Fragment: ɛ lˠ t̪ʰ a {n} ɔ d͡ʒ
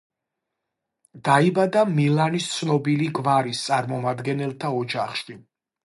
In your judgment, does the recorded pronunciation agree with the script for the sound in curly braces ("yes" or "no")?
no